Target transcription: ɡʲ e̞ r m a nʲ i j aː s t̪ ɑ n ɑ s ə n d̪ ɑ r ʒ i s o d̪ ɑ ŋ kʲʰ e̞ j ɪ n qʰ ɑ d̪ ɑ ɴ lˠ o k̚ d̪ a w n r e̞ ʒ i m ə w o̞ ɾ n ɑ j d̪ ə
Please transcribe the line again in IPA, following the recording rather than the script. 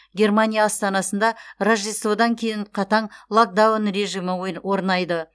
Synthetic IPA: ɡʲ e̞ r m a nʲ i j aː s t̪ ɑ n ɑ s ə n d̪ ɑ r ʒ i s o d̪ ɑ ŋ kʲʰ e̞ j ɪ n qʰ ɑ t̪ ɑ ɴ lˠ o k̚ d̪ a w n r e̞ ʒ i m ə w o̞ ɾ n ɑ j d̪ ə